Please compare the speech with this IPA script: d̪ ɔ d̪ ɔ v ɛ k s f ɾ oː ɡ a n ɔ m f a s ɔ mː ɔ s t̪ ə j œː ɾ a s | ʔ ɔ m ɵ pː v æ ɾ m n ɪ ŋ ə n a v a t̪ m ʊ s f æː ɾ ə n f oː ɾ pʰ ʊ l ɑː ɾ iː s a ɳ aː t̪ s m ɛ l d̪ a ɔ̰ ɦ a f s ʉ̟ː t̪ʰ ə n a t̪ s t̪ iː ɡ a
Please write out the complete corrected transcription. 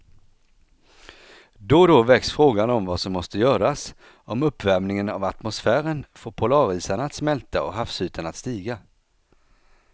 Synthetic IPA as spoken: d̪ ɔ d̪ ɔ v ɛ k s f ɾ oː ɡ a n ɔ m v a s ɔ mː ɔ s t̪ ə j œː ɾ a s | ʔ ɔ m ɵ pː v æ ɾ m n ɪ ŋ ə n a v a t̪ m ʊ s f æː ɾ ə n f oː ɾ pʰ ʊ l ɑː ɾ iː s a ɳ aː t̪ s m ɛ l t̪ a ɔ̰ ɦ a f s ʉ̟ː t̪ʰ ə n a t̪ s t̪ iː ɡ a